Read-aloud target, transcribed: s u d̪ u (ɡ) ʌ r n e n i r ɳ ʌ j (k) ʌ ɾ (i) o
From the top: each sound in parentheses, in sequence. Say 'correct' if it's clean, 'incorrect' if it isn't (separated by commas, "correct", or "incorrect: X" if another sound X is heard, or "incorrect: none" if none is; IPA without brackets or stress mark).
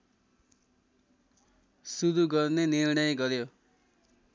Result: correct, incorrect: ɡ, incorrect: j